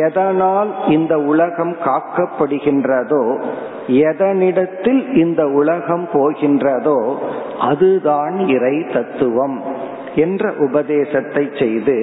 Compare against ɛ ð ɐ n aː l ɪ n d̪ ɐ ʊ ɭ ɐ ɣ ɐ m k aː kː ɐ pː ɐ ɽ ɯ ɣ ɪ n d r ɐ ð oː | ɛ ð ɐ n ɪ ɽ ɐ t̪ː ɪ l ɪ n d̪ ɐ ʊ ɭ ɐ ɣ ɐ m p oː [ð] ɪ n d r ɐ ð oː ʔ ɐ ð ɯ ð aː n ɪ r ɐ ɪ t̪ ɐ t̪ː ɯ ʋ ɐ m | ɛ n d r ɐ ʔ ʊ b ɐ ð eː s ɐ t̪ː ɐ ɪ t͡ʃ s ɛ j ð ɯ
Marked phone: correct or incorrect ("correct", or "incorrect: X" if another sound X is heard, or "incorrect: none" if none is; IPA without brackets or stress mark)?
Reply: incorrect: ɣ